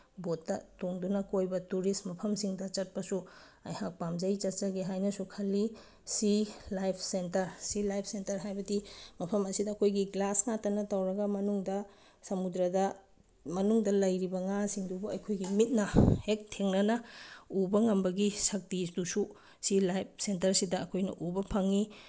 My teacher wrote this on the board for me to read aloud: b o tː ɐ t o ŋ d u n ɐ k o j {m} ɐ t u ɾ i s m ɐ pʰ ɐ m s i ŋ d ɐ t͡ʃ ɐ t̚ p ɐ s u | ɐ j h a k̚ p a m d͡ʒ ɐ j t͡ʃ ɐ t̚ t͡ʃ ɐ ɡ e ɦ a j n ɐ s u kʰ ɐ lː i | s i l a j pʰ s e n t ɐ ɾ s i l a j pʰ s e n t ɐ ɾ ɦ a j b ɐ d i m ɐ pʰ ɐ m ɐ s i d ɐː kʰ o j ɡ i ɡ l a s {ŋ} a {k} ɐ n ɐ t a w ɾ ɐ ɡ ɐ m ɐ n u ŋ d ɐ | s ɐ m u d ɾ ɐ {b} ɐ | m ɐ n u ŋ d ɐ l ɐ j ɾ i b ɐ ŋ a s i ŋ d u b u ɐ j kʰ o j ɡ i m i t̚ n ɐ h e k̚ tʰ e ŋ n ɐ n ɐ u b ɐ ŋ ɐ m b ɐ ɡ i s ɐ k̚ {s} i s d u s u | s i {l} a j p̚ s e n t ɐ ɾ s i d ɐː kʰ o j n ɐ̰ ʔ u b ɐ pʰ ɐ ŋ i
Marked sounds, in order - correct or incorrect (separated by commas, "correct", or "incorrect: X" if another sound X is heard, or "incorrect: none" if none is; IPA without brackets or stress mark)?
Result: incorrect: b, correct, incorrect: t, incorrect: d, incorrect: t, correct